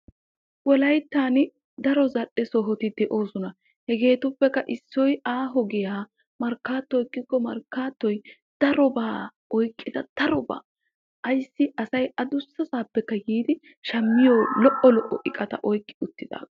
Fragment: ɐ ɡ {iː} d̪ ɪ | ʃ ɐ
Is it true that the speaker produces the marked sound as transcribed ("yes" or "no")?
yes